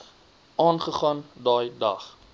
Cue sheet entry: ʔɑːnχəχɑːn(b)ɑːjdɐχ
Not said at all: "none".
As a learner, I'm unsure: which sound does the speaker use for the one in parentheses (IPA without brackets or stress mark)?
d